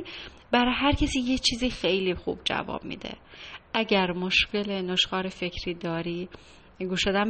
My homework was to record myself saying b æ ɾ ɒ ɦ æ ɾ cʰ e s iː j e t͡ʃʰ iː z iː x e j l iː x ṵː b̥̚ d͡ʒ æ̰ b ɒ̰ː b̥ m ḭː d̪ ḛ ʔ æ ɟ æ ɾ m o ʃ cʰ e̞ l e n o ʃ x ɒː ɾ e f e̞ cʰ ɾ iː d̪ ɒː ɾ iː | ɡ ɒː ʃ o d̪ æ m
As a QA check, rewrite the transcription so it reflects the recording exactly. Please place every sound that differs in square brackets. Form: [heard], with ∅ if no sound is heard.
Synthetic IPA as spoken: b æ ɾ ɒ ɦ æ ɾ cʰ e s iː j e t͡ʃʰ iː z iː x e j l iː x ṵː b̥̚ d͡ʒ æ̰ [v] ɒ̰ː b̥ m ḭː d̪ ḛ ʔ æ ɟ æ ɾ m o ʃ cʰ e̞ l e n o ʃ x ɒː ɾ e f e̞ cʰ ɾ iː d̪ ɒː ɾ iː | ɡ [uː] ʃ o d̪ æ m